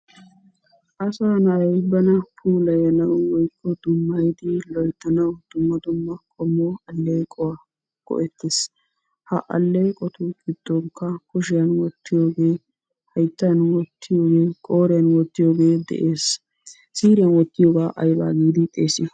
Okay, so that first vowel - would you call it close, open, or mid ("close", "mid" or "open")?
open